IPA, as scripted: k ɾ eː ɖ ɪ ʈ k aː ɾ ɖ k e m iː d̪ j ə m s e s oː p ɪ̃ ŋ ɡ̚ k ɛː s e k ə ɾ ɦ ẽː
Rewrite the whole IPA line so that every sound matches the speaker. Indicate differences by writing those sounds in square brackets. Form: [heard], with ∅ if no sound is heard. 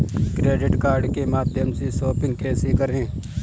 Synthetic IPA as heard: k ɾ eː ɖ ɪ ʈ k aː ɾ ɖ k e m [aː] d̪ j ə m s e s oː p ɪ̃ ŋ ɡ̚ k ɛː s e k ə ɾ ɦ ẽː

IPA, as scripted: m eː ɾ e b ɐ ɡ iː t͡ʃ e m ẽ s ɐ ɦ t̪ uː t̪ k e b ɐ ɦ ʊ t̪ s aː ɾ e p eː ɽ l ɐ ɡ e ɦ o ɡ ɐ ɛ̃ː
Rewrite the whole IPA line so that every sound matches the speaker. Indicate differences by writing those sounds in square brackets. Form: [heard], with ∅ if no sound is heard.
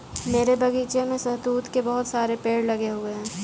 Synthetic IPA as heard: m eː ɾ e b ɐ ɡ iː t͡ʃ e m ẽ s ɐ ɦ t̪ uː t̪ k e b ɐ ɦ ʊ t̪ s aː ɾ e p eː ɽ l ɐ ɡ e ɦ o ɡ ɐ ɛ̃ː

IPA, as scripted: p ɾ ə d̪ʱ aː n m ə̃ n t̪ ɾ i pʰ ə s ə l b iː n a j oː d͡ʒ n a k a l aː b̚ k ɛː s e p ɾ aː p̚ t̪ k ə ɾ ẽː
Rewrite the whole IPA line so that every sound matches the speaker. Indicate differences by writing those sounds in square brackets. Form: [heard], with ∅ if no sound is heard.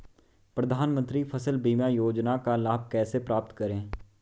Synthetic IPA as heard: p ɾ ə d̪ʱ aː n m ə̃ n t̪ ɾ i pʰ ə s ə l b iː [m] a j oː d͡ʒ n a k a l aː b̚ k ɛː s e p ɾ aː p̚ t̪ k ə ɾ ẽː

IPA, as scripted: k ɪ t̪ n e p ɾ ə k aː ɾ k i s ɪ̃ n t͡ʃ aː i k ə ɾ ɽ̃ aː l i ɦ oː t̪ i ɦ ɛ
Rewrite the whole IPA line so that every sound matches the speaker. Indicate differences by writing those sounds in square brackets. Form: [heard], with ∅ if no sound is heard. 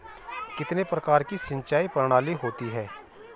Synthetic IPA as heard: k ɪ t̪ n e p ɾ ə k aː ɾ k i s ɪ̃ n t͡ʃ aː i [p] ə ɾ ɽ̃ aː l i ɦ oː t̪ i ɦ [ɛː]

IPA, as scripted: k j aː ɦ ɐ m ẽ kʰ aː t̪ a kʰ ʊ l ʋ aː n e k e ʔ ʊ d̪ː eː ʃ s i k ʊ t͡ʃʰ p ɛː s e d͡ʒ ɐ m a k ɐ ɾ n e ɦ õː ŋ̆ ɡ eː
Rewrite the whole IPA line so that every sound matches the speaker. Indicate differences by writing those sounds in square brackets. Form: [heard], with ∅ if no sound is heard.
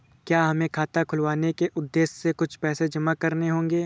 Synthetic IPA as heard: k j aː ɦ ɐ m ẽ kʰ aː t̪ a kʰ ʊ l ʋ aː n e k e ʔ ʊ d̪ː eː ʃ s [e] k ʊ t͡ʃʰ p ɛː s e d͡ʒ ɐ m a k ɐ ɾ n e ɦ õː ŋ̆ ɡ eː

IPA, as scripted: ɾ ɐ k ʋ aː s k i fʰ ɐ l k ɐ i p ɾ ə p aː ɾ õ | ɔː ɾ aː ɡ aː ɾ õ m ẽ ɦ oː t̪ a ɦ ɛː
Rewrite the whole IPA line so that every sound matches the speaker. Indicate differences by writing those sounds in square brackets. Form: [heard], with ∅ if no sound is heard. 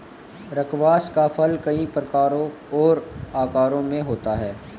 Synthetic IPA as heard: ɾ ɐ k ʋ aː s k [a] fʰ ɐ l k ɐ i p ɾ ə [k] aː ɾ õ | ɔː ɾ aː [k] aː ɾ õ m ẽ ɦ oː t̪ a ɦ ɛː

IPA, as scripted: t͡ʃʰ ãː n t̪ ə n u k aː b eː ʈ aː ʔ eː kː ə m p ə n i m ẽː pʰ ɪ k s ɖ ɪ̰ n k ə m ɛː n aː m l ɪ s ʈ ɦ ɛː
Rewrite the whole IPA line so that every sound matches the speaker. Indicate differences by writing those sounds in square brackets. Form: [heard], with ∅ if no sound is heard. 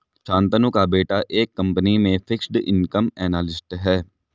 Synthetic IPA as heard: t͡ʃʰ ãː n t̪ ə n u k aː b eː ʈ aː ʔ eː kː ə m p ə n i m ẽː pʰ ɪ k s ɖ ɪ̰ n k ə m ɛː n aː [∅] l ɪ s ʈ ɦ ɛː

